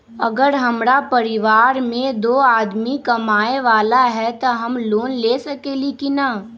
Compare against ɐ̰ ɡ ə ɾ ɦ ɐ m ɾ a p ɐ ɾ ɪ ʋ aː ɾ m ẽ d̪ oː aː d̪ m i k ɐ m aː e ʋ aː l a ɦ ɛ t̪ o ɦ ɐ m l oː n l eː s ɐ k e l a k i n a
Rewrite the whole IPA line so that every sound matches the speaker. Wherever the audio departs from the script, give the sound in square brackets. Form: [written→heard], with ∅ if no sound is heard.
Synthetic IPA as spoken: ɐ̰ ɡ ə ɾ ɦ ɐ m ɾ a p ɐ ɾ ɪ ʋ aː ɾ m ẽ d̪ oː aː d̪ m i k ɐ m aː e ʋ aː l a ɦ ɛ t̪ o ɦ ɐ m l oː n l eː s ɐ k e l [a→i] k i n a